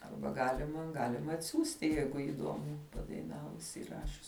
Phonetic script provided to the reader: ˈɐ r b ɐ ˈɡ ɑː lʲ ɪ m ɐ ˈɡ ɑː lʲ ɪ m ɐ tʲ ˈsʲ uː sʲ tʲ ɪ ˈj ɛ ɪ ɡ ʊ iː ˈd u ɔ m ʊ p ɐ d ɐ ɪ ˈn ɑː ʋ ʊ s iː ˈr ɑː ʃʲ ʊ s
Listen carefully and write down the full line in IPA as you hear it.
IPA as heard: ˈɐ r b ɐ ˈɡ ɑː lʲ ɪ m ɐ ˈɡ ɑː lʲ ɪ m ɐ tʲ ˈsʲ uː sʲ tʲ ɪ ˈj ɛ ɪ ɡ ʊ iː ˈd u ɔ m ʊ p ɐ d ɐ ɪ ˈn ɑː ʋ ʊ s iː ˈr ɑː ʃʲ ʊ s